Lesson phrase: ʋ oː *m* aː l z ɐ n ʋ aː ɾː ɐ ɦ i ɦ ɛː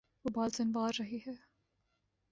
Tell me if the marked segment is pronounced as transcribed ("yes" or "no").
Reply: no